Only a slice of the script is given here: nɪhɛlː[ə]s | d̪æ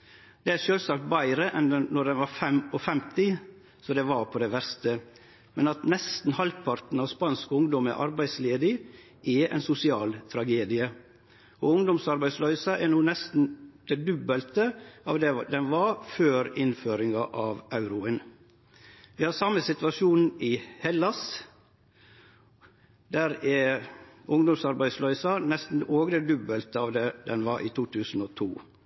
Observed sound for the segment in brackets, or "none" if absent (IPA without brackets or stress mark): ɑ